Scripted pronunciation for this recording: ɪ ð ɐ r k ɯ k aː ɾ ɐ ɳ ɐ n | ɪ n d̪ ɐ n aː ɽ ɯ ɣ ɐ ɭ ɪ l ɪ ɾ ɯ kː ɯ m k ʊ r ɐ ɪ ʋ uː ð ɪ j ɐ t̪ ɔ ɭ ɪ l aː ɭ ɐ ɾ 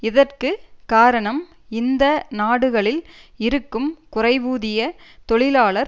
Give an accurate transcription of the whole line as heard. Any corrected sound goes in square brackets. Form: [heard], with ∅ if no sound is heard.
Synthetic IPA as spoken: ɪ ð ɐ r k ɯ k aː ɾ ɐ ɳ ɐ [m] | ɪ n d̪ ɐ n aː ɽ ɯ ɣ ɐ ɭ ɪ l ɪ ɾ ɯ kː ɯ m k ʊ r ɐ ɪ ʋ uː ð ɪ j ɐ t̪ ɔ ɭ ɪ l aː ɭ ɐ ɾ